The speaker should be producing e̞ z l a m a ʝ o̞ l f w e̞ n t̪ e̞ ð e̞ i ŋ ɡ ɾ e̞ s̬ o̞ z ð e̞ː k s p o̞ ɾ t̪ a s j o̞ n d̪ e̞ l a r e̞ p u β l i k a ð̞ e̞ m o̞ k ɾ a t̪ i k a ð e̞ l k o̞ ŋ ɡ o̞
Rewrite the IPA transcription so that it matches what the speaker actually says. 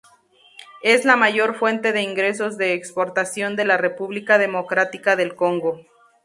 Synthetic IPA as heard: e̞ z l a m a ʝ o̞ ɾ f w e̞ n t̪ e̞ ð e̞ i ŋ ɡ ɾ e̞ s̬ o̞ z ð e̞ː k s p o̞ ɾ t̪ a s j o̞ n d̪ e̞ l a r e̞ p u β l i k a ð̞ e̞ m o̞ k ɾ a t̪ i k a ð e̞ l k o̞ ŋ ɡ o̞